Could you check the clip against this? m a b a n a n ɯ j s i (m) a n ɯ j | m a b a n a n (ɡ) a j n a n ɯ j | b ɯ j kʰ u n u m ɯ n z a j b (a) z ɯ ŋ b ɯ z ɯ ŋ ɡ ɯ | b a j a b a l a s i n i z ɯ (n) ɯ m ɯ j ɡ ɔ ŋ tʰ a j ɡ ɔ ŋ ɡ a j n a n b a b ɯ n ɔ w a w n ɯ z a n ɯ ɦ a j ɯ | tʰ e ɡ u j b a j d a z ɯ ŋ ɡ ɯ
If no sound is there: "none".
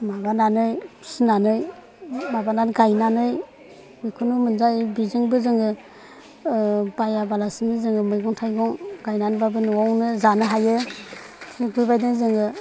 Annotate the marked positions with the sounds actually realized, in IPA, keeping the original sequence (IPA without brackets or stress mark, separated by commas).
n, ɡ, i, ŋ